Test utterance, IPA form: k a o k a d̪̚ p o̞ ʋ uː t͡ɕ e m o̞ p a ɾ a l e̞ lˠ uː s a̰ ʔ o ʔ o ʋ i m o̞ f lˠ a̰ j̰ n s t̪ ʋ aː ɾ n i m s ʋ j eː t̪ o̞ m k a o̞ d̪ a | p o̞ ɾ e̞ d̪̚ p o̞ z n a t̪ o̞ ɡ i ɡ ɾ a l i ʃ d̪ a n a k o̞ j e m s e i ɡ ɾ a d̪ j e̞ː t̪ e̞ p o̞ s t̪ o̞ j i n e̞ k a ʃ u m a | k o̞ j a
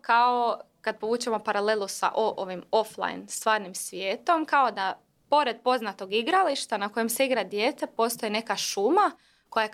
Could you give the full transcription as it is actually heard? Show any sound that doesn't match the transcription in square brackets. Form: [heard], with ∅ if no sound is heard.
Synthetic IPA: k a o k a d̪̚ p o̞ ʋ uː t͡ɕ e m o̞ p a ɾ a l e̞ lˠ [u] s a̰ ʔ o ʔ o ʋ i m o̞ f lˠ a̰ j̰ n s t̪ ʋ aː ɾ n i m s ʋ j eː t̪ o̞ m k a o̞ d̪ a | p o̞ ɾ e̞ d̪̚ p o̞ z n a t̪ o̞ ɡ i ɡ ɾ a l i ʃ [t̪] a n a k o̞ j e m s e i ɡ ɾ a d̪ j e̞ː t̪ e̞ p o̞ s t̪ o̞ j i n e̞ k a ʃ u m a | k o̞ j a